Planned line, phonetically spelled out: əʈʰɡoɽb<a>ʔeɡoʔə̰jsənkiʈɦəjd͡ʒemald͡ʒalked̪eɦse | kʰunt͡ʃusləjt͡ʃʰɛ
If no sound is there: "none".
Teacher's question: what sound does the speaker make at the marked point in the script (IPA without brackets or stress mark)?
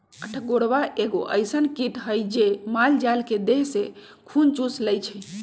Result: a